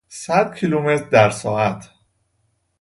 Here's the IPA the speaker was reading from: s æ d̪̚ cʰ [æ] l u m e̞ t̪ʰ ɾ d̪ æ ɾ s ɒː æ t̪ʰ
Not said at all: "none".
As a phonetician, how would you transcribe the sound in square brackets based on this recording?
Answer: i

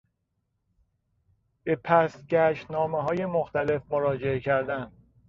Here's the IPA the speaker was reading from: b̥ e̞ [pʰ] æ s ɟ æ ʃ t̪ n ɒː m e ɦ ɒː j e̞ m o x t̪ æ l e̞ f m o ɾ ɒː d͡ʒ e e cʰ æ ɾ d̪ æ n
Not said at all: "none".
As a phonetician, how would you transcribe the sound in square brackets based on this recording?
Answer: pʰ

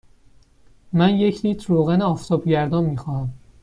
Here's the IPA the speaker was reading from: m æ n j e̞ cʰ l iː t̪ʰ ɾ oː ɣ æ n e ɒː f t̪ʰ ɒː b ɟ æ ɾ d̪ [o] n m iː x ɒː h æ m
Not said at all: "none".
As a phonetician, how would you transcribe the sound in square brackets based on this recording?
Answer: ɒ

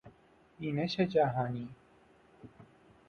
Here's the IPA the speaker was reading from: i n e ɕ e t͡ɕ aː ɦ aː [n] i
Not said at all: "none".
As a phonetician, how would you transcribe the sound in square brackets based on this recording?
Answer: n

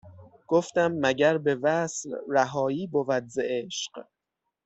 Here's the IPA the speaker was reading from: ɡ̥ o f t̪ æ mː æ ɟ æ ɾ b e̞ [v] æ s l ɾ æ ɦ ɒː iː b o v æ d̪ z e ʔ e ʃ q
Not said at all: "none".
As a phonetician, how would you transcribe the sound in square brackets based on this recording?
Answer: v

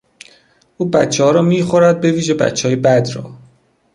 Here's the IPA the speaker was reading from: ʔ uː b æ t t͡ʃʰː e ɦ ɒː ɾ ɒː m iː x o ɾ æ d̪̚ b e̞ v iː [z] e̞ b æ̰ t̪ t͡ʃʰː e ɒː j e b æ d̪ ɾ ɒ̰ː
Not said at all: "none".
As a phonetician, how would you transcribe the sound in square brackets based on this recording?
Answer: ʒ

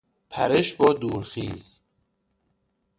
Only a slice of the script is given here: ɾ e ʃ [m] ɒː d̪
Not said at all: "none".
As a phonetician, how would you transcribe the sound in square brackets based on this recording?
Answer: b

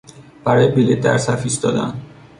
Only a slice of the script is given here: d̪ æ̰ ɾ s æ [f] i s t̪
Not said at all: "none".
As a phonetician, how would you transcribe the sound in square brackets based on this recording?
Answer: f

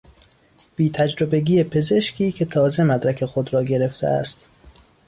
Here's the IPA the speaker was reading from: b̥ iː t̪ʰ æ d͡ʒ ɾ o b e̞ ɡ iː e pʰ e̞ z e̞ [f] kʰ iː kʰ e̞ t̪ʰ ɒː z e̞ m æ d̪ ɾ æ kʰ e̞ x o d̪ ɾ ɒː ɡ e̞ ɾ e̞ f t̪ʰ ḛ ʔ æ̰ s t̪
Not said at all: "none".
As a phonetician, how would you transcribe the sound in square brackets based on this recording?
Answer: ʃ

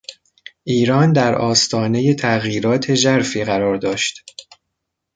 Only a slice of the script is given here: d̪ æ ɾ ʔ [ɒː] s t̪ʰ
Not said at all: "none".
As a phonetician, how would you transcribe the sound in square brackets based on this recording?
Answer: ɒː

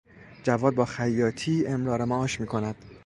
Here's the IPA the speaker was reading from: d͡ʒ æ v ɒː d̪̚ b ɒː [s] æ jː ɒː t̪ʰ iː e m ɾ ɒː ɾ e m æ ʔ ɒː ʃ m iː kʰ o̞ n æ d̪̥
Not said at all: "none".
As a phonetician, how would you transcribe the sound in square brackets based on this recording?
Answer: x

